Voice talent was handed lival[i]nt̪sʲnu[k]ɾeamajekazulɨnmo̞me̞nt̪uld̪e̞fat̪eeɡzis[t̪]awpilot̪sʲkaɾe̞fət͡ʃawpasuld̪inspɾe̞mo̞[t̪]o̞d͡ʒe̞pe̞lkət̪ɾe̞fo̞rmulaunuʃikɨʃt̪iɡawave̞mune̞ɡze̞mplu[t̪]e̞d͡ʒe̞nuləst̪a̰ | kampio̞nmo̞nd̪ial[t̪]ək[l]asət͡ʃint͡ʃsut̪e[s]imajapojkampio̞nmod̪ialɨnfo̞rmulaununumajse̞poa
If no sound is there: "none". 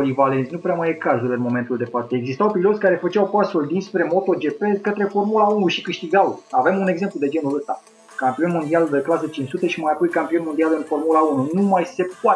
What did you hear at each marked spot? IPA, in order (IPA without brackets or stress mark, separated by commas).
e, p, t̪, t̪, d̪, d̪, l, ʃ